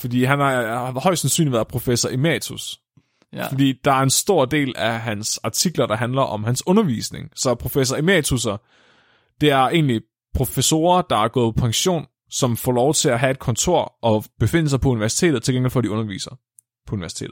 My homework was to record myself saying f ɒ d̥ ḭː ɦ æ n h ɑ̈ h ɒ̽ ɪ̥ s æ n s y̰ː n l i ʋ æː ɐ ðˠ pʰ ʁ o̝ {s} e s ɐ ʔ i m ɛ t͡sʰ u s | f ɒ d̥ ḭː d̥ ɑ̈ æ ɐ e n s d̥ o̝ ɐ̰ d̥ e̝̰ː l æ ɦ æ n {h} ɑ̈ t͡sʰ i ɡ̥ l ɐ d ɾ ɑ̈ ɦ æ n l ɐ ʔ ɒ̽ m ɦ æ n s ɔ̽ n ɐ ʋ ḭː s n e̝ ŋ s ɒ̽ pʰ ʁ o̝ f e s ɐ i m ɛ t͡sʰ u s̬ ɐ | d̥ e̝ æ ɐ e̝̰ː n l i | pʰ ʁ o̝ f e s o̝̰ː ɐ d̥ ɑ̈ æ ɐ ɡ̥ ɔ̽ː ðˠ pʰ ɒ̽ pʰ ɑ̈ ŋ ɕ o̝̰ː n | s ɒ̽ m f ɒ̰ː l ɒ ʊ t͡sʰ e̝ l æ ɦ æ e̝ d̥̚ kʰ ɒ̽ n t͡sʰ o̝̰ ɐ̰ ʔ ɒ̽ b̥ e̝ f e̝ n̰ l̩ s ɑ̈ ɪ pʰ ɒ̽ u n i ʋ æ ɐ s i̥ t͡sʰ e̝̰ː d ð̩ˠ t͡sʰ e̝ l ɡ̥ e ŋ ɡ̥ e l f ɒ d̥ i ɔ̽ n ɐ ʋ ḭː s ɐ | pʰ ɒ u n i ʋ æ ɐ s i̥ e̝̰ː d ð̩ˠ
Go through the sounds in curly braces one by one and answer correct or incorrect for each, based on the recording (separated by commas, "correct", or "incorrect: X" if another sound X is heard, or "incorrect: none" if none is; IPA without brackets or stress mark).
incorrect: f, incorrect: s